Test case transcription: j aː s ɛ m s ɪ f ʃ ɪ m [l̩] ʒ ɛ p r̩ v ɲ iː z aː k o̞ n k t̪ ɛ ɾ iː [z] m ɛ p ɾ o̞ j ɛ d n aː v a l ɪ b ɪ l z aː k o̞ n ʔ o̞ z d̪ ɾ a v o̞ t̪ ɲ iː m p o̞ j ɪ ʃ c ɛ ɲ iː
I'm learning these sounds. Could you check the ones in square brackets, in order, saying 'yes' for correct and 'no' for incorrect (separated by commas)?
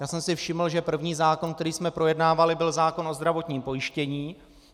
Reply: yes, no